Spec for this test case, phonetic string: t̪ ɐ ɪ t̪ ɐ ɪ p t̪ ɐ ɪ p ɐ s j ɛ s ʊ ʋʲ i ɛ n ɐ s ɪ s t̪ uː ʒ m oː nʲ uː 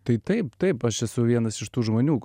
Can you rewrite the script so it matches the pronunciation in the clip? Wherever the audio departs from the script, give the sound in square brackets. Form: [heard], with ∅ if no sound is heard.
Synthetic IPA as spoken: t̪ ɐ ɪ t̪ ɐ ɪ p t̪ ɐ ɪ p ɐ [ʃ] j ɛ s ʊ ʋʲ i ɛ n ɐ s ɪ [ʃ] t̪ uː ʒ m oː nʲ uː